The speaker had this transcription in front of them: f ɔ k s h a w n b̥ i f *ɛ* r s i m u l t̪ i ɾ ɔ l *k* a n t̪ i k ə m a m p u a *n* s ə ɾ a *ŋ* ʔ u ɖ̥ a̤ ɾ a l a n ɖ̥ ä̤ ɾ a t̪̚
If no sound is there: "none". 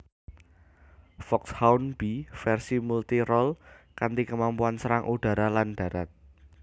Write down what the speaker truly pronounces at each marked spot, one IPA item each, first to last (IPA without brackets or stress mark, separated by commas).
ɛ, k, n, ŋ